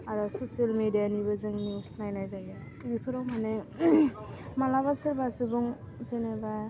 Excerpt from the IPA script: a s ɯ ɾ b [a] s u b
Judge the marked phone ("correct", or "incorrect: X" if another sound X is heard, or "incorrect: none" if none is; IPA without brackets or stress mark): correct